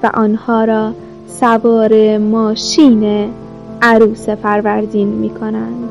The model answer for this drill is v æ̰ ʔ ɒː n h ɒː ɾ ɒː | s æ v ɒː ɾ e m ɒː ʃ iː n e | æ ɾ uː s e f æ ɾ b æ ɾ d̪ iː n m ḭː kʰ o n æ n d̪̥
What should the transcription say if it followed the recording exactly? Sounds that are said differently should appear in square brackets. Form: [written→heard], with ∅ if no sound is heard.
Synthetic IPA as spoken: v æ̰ ʔ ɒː n h ɒː ɾ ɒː | s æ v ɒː ɾ e m ɒː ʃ iː n e | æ ɾ uː s e f æ ɾ [b→v] æ ɾ d̪ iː n m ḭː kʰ o n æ n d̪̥